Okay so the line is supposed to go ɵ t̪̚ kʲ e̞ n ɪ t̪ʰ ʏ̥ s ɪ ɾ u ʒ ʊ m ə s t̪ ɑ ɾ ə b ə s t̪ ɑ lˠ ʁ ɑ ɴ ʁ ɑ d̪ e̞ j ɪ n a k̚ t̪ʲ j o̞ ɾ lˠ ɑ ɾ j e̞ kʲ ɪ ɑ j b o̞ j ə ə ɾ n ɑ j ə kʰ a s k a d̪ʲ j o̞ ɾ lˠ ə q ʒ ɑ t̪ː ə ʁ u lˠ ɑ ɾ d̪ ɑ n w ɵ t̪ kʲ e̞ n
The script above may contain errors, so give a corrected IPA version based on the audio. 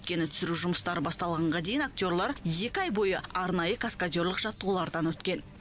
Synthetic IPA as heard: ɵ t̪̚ kʲ e̞ n ɪ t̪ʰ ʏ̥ s ɪ ɾ u ʒ ʊ m ə s t̪ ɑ ɾ ə b ɑ s t̪ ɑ lˠ ʁ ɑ ɴ ʁ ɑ d̪ e̞ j ɪ n a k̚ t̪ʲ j o̞ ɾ lˠ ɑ ɾ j e̞ kʲ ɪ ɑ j b o̞ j ə ɑ ɾ n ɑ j ə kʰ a s k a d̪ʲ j o̞ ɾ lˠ ə q ʒ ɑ t̪ː ə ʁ u lˠ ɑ ɾ d̪ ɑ n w ɵ t̪ kʲ e̞ n